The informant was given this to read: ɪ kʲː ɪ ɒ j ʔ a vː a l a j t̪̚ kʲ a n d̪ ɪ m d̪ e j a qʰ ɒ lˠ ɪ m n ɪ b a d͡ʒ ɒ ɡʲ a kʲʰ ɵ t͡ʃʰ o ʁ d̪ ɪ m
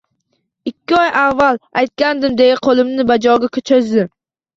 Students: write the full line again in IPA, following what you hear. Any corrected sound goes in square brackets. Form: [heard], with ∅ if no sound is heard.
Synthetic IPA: ɪ kʲː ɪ ɒ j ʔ a vː a l a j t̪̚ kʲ a n d̪ ɪ m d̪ e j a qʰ [o] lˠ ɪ m n ɪ b a d͡ʒ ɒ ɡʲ a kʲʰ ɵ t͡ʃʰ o [z] d̪ ɪ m

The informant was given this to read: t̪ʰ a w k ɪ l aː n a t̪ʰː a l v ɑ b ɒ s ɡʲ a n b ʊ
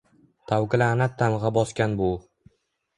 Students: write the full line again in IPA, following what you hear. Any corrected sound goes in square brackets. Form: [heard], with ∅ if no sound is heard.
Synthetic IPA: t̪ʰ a w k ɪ l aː n a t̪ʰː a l [ʁ] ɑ b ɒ s [kʲ] a n b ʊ

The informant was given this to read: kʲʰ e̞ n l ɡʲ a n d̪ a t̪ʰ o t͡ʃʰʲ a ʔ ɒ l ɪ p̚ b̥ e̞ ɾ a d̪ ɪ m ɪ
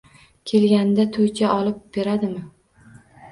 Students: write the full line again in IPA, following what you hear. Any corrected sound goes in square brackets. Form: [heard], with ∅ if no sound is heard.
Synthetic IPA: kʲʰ e̞ [∅] l ɡʲ a n d̪ a t̪ʰ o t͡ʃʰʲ a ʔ ɒ l ɪ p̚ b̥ e̞ ɾ a d̪ ɪ m ɪ

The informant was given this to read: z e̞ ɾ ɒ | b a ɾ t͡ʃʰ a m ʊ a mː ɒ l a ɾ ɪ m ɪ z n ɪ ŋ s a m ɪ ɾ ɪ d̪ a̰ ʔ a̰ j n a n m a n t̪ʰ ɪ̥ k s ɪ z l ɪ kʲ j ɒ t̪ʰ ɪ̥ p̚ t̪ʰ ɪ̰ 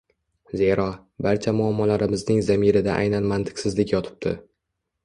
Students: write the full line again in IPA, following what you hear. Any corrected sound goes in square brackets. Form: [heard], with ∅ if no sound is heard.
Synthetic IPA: z e̞ ɾ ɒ | b a ɾ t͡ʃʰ a m ʊ a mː ɒ l a ɾ ɪ m ɪ z n ɪ ŋ [z] a m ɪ ɾ ɪ d̪ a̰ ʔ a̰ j n a n m a n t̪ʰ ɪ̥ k s ɪ z l ɪ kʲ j ɒ t̪ʰ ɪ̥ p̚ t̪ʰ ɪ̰

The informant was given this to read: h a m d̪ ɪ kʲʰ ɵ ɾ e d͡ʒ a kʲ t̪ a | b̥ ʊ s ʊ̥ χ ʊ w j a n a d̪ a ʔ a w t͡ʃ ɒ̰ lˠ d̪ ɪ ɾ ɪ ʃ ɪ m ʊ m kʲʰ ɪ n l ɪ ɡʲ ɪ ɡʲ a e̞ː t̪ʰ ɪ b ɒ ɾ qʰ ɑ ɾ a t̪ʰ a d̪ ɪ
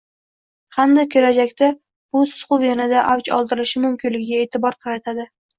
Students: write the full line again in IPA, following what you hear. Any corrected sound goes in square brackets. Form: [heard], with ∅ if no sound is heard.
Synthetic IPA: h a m d̪ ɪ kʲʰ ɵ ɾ [a] d͡ʒ a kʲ t̪ a | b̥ ʊ s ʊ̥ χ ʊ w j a n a d̪ a ʔ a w t͡ʃ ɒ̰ lˠ d̪ ɪ ɾ ɪ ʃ ɪ m ʊ m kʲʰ ɪ n l ɪ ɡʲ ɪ ɡʲ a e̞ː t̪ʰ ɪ b ɒ ɾ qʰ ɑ ɾ a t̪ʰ a d̪ ɪ

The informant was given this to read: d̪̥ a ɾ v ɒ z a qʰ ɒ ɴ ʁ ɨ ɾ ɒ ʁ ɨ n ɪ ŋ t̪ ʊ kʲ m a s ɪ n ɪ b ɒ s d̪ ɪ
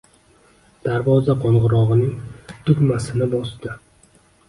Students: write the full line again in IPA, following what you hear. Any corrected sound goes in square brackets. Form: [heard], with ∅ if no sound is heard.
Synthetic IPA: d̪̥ a ɾ v ɒ z a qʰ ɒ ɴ ʁ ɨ ɾ ɒ ʁ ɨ n ɪ ŋ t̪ ʊ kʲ m a s ɪ n ɪ b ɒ s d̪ ɪ

